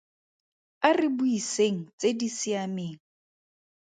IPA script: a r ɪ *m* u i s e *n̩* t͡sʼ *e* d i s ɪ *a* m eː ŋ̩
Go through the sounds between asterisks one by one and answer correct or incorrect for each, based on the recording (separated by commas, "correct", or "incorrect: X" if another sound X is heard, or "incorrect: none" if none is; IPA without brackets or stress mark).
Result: incorrect: b, incorrect: ŋ̩, correct, correct